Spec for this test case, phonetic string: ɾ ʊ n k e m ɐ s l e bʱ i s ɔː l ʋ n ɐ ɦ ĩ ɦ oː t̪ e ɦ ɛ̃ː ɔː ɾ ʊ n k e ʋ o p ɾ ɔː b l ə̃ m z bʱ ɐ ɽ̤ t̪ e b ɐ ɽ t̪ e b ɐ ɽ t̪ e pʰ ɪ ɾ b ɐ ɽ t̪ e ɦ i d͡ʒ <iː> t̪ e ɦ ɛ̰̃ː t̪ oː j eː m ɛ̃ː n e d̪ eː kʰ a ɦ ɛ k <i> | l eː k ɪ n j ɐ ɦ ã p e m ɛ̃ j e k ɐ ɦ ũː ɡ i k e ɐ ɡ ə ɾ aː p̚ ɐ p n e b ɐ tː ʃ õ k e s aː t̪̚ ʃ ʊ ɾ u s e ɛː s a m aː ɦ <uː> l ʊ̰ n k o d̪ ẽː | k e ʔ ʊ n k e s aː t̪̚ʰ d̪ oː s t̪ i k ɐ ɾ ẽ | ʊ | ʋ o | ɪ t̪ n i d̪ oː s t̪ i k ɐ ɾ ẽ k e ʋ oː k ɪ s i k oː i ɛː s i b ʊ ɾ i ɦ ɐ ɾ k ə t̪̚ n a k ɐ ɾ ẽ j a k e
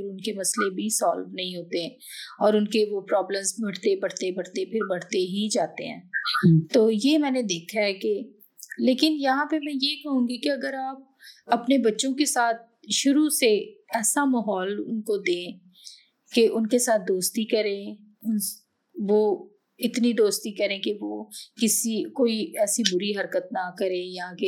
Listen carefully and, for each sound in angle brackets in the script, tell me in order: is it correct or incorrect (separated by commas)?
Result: incorrect, incorrect, incorrect